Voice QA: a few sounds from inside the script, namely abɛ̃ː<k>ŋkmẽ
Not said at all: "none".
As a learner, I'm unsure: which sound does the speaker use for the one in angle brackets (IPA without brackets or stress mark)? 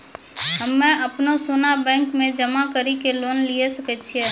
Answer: none